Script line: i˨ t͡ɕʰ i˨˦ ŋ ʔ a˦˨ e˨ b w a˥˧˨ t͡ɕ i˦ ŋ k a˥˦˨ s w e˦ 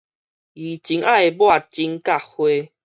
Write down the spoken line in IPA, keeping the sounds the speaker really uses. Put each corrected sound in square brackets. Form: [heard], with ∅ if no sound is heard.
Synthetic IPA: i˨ [t͡ɕ] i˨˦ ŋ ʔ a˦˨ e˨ b w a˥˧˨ t͡ɕ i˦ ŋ k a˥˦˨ [h] w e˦

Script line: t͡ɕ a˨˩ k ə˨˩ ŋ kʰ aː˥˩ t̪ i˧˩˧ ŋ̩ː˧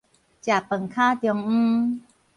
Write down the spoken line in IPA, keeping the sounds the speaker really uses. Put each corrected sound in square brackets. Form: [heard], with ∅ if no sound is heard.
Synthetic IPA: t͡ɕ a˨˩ [p] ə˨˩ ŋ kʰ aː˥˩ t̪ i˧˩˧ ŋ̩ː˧

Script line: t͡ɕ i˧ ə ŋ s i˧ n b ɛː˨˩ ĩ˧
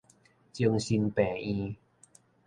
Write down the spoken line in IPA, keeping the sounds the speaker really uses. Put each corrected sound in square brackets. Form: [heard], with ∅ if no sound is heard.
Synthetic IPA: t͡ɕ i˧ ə ŋ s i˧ n [p] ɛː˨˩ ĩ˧

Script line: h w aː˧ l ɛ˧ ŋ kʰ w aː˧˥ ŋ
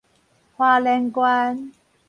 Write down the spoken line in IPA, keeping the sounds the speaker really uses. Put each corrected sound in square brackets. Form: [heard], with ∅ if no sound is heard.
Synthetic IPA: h w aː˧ l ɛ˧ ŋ [k] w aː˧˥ [n]

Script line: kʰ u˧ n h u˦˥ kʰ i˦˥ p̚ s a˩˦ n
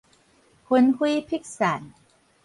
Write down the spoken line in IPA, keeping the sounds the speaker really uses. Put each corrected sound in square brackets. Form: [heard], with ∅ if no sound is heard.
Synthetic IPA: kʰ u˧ n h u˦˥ [pʰ] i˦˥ [k̚] s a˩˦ n

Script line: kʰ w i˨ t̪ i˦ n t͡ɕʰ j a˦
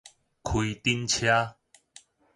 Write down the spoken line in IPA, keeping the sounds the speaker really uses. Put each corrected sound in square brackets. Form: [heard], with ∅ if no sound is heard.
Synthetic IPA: kʰ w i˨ t̪ i˦ n t͡ɕʰ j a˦

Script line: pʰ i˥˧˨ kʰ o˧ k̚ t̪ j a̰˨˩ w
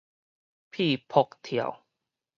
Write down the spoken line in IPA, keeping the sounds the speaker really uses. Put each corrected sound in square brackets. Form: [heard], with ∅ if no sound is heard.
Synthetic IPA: pʰ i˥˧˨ [pʰ] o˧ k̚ [t̪ʰ] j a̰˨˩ w

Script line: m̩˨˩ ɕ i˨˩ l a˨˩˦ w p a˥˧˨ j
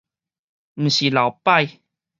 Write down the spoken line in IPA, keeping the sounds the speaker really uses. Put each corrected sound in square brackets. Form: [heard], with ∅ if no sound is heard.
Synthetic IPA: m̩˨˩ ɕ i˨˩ l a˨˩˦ w p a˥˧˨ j

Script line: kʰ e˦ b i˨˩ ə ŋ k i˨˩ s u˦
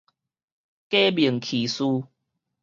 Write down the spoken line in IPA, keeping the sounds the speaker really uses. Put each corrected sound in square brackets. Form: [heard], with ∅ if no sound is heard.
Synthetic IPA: [k] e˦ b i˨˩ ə ŋ [kʰ] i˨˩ s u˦

